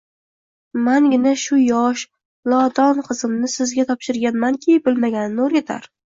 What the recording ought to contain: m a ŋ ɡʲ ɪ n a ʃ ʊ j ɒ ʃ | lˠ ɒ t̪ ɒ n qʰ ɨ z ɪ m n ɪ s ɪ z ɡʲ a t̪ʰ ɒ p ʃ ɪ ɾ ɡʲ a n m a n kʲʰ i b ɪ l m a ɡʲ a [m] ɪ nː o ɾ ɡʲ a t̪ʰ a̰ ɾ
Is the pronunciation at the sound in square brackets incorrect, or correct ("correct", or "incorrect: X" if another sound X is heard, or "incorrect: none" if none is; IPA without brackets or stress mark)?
incorrect: n